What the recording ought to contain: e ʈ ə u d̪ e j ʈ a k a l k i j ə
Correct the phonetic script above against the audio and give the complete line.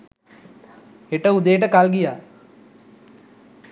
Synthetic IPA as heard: e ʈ ə u d̪ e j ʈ ə k a l ɡ i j a